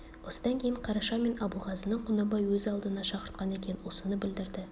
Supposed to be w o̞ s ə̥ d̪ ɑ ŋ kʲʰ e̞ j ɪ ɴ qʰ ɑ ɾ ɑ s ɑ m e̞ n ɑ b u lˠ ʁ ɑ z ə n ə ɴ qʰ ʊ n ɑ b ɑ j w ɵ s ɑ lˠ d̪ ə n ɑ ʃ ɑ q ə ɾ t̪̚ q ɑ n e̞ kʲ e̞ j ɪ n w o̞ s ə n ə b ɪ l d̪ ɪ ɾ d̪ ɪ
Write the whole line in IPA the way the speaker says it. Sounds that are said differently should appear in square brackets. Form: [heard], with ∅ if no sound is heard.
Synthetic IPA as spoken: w o̞ s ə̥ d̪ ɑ ŋ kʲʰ e̞ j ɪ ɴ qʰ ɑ ɾ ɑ [ʃ] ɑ m e̞ n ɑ b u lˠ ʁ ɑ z ə n ə ɴ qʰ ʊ n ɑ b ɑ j w ɵ [z] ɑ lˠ d̪ ə n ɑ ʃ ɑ q ə ɾ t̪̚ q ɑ n e̞ kʲ e̞ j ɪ n w o̞ s ə n ə b ɪ l d̪ ɪ ɾ d̪ ɪ